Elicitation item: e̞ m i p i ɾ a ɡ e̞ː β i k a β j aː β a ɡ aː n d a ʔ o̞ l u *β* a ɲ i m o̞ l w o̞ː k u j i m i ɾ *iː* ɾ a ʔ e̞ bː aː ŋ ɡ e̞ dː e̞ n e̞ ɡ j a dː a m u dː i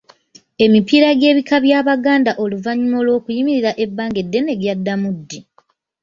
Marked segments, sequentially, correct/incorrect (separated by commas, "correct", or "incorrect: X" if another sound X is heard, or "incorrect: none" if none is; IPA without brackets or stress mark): incorrect: v, incorrect: i